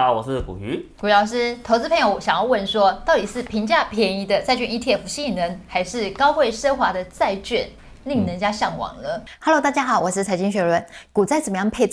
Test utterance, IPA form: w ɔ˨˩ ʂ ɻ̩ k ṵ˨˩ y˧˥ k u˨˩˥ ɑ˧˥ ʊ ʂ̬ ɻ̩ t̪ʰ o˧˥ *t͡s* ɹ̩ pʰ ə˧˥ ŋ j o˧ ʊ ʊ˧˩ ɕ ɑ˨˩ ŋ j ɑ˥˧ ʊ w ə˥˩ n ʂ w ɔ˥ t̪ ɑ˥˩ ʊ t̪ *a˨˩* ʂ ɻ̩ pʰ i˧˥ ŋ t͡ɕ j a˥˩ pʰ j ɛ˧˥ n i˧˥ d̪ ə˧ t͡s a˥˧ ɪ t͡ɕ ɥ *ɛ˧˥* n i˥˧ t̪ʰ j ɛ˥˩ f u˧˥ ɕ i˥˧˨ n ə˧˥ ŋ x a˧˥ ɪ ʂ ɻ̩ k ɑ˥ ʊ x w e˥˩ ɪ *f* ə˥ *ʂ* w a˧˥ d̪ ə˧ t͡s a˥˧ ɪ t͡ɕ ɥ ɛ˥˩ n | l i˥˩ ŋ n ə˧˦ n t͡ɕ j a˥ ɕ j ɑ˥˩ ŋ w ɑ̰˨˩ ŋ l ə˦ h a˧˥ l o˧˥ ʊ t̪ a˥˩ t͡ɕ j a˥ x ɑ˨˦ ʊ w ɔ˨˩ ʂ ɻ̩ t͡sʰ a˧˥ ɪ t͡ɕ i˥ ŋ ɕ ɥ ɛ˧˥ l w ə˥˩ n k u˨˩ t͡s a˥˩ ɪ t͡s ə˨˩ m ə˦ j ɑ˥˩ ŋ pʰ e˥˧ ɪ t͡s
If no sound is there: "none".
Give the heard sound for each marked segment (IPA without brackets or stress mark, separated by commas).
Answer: t͡s, i˨˩, ɛ˥˧, ʂ, x